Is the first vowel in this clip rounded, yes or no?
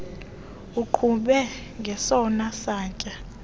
yes